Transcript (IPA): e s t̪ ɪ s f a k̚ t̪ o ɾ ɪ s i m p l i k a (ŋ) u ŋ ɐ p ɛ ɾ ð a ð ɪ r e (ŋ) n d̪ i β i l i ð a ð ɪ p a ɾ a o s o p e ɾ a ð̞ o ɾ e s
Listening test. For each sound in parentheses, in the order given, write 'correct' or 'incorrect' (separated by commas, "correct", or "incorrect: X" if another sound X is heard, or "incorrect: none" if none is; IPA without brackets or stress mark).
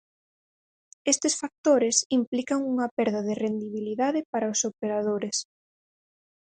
correct, incorrect: none